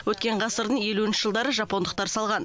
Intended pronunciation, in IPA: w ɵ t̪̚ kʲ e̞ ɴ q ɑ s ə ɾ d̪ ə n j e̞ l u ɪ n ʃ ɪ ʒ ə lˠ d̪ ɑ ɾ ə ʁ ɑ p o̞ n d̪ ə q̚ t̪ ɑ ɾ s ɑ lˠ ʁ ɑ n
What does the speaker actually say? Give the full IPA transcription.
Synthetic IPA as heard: w ɵ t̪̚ kʲ e̞ ɴ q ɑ s ə ɾ d̪ ə ɴ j e̞ l u ɪ n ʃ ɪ ʒ ə lˠ d̪ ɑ ɾ ə ʒ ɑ p o̞ n d̪ ə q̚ t̪ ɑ ɾ s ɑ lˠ ʁ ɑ n